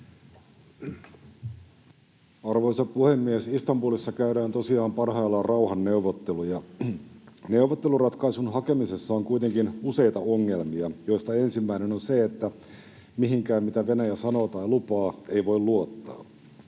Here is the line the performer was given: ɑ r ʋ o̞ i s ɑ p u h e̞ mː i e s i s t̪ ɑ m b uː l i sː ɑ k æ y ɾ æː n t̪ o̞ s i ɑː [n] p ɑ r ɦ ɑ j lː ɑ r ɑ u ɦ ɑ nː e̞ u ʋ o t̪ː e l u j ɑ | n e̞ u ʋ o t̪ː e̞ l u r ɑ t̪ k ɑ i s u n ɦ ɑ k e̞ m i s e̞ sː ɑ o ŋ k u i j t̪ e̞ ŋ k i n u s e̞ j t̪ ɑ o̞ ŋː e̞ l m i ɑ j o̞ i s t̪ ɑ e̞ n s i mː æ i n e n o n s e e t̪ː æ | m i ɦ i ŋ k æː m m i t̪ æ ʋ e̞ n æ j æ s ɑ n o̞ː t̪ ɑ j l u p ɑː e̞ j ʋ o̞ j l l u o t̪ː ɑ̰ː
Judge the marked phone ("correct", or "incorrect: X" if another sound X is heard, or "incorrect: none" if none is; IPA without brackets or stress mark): incorrect: m